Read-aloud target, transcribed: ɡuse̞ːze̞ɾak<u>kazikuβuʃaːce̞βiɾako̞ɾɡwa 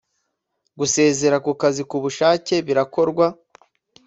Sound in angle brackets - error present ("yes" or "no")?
no